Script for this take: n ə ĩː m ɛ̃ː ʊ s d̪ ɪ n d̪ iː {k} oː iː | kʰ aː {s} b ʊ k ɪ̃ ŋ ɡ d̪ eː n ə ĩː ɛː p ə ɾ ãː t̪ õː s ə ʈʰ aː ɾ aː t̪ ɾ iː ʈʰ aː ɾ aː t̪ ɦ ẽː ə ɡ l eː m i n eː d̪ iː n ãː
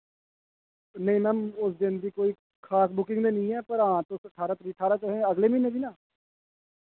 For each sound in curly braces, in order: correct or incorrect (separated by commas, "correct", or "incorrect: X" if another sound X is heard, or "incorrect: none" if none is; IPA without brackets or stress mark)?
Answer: correct, correct